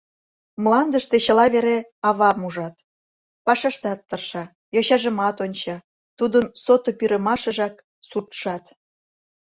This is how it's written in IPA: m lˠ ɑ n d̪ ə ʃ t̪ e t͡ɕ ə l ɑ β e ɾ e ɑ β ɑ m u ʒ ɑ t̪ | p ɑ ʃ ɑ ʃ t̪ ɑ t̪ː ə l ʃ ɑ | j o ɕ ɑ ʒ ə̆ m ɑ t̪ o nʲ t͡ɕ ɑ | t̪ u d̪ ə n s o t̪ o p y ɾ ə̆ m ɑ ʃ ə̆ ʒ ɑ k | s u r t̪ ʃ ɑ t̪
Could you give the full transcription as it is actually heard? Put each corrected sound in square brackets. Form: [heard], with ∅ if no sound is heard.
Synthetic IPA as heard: m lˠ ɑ n d̪ ə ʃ t̪ e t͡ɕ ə l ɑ β e ɾ e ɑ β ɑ m u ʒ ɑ t̪ | p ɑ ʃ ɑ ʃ t̪ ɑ t̪ː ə [r] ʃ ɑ | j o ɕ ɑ ʒ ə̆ m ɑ t̪ o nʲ t͡ɕ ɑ | t̪ u d̪ ə n s o t̪ o p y ɾ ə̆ m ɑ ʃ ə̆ ʒ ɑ k | s u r t̪ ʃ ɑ t̪